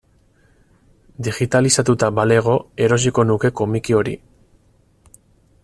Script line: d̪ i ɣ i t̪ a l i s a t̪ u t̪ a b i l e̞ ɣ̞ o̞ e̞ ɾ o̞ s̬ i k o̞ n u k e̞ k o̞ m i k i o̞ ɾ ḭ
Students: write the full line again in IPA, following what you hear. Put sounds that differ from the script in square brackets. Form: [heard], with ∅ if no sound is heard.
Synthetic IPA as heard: d̪ i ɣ i t̪ a l i s a t̪ u t̪ a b [a] l e̞ ɣ̞ o̞ e̞ ɾ o̞ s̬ i k o̞ n u k e̞ k o̞ m i k i o̞ ɾ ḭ